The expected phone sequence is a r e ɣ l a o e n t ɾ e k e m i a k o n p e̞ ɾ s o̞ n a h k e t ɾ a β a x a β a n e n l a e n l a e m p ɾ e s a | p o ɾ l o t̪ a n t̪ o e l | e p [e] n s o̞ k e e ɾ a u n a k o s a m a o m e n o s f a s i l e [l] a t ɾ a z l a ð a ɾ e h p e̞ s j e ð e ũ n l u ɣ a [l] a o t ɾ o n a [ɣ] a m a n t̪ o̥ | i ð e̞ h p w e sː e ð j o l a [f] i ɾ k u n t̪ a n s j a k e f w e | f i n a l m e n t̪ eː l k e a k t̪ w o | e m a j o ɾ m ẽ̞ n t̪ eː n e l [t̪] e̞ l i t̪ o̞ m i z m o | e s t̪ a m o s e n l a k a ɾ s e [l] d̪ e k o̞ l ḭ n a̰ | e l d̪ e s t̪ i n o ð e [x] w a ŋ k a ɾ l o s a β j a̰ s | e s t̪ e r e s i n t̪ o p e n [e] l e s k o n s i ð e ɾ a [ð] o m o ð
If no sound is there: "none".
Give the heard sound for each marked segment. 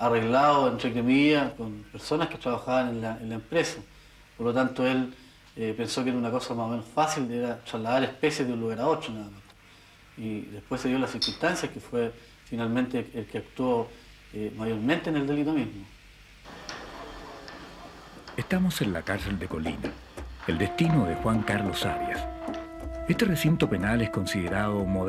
e, ɾ, ɾ, ð, s, d̪, l, x, a, ð

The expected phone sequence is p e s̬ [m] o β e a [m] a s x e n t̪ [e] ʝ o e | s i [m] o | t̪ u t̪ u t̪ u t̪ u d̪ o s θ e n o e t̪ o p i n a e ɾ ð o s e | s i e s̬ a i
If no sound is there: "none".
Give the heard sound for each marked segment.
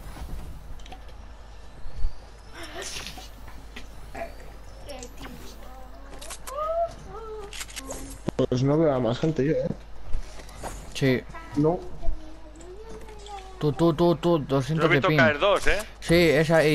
n, m, e, n

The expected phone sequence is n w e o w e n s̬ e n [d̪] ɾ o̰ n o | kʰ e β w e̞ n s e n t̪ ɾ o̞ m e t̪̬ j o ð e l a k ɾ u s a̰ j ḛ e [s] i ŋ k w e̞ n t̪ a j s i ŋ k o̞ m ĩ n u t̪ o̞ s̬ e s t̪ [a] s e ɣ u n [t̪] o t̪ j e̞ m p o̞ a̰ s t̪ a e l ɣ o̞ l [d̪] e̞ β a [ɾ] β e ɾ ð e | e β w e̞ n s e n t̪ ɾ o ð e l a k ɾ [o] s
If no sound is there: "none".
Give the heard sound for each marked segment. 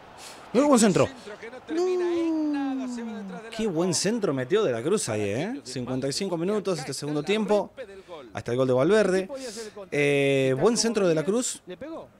t̪, s, e, d̪, d̪, l, u

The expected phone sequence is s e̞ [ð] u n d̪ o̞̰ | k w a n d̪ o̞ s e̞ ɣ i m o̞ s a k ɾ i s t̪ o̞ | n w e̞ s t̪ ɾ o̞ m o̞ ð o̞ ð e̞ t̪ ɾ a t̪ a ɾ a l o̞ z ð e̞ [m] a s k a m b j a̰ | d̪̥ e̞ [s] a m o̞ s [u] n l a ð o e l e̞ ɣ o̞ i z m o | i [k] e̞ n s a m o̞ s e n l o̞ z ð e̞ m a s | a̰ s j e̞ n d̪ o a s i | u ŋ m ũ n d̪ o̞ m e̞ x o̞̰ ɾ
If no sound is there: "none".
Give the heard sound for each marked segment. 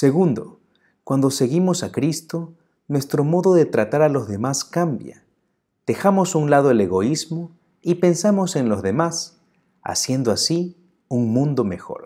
ɣ, m, x, u, p

